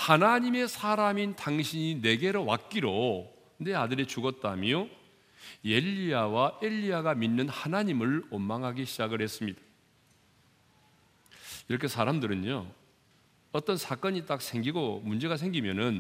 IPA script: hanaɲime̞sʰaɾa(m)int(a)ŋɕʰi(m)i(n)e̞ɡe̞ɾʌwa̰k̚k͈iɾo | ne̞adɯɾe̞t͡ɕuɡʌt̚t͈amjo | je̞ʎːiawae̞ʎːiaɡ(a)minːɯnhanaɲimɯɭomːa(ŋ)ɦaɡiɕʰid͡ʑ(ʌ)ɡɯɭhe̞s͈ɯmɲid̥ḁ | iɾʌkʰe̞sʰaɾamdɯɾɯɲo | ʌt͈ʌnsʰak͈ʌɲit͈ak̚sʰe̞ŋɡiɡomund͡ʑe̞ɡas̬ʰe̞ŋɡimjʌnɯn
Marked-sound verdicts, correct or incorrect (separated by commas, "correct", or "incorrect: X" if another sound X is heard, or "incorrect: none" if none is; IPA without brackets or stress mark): correct, correct, incorrect: ɲ, correct, correct, correct, incorrect: a